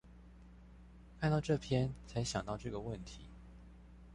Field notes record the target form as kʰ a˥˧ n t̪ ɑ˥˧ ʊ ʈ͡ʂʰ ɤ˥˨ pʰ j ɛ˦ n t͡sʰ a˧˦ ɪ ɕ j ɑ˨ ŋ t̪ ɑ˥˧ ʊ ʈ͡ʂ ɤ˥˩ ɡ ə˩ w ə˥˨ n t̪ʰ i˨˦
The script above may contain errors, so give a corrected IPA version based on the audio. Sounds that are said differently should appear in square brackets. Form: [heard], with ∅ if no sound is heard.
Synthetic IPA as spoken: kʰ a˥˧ n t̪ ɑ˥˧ ʊ [ʈ͡ʂ] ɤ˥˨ pʰ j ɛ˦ n t͡sʰ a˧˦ ɪ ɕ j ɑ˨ ŋ t̪ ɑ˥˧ ʊ ʈ͡ʂ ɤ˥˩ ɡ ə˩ w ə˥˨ n t̪ʰ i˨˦